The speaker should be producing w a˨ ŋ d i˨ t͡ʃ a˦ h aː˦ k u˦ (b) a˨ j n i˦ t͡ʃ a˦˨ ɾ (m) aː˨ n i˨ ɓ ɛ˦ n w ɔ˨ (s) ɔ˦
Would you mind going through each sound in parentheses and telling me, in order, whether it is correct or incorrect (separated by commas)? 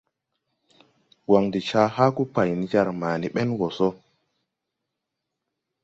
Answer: incorrect, correct, correct